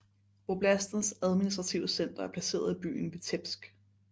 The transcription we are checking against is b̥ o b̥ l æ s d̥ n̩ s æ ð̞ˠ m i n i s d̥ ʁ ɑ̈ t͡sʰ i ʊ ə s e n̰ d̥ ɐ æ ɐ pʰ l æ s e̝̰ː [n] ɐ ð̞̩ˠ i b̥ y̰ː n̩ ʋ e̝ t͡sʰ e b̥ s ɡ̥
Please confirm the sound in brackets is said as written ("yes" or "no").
no